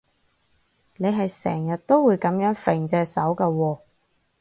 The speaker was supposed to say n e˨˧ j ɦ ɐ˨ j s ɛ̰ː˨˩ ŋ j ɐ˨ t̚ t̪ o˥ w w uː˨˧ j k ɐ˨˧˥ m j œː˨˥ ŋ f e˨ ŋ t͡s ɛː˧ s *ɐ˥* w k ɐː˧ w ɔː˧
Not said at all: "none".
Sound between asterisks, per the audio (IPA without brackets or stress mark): ɐ˨˥